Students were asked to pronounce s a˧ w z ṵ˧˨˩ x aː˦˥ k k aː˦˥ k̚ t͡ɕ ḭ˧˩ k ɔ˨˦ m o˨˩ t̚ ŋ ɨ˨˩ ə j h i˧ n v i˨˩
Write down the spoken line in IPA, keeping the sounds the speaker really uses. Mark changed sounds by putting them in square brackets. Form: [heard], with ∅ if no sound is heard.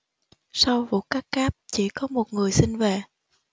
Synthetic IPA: s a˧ w [v] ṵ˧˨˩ [k] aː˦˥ k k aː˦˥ [p̚] t͡ɕ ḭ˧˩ k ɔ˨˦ m o˨˩ t̚ ŋ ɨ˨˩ ə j [s] i˧ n v [e˨˩]

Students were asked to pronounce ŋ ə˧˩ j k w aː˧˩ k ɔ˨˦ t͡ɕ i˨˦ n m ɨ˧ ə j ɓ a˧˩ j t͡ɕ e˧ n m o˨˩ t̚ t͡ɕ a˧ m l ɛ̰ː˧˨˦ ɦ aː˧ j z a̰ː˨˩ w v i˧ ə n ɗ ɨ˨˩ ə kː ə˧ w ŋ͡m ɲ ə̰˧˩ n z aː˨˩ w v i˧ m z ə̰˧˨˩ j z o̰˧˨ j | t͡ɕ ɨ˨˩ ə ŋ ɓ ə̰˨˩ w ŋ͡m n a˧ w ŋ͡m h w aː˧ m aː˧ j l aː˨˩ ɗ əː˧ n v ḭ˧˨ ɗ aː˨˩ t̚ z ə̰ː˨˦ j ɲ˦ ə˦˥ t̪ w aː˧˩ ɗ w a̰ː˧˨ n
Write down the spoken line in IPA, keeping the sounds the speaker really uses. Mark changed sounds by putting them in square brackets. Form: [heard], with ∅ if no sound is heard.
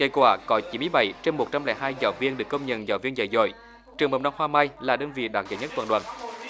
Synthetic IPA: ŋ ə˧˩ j k w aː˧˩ k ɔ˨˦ t͡ɕ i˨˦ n m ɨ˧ ə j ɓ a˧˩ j t͡ɕ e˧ n m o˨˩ t̚ t͡ɕ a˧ m l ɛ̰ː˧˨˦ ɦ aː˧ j z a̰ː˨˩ w v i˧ ə n ɗ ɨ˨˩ ə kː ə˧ w ŋ͡m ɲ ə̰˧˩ n z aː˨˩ w v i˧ [n] z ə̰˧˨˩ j z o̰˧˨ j | t͡ɕ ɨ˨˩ ə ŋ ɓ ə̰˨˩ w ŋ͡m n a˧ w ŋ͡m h w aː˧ m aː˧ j l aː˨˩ ɗ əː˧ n v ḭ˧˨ ɗ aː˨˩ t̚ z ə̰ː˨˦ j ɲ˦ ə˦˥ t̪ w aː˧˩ ɗ w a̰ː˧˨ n

